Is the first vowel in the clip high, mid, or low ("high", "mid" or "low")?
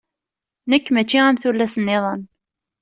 mid